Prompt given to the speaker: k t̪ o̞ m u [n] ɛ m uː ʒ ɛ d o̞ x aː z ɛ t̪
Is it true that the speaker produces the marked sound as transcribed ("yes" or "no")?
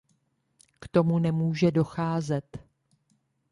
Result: yes